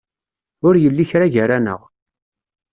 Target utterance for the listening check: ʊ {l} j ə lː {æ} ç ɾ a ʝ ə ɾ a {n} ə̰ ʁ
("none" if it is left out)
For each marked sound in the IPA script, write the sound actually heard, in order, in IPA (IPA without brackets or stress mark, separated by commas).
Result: ɾ, i, n